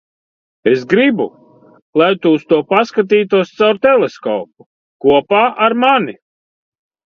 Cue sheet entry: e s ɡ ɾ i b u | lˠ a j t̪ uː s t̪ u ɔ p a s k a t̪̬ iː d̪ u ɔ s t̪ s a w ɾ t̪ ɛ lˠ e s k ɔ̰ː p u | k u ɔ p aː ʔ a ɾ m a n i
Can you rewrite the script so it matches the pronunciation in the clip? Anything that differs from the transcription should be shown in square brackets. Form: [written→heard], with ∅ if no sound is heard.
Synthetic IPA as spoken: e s ɡ ɾ i b u | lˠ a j t̪ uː s t̪ u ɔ p a s k a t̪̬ iː [d̪→t̪] u ɔ s t̪ s a w ɾ t̪ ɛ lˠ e s k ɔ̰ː p u | k u ɔ p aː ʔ a ɾ m a n i

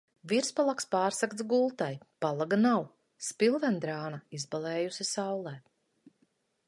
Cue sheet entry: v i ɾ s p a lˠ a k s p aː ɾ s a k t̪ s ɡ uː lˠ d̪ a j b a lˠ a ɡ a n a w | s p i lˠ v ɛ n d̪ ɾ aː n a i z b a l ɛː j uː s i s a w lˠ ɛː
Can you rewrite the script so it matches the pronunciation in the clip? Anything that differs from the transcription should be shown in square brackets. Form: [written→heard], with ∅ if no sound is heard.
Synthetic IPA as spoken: v i ɾ s p a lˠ a k s p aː ɾ s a k t̪ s ɡ [uː→u] lˠ [d̪→t̪] a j [b→p] a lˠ a ɡ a n a w | s p i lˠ v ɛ n d̪ ɾ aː n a i z b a l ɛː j [uː→u] s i s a w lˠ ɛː

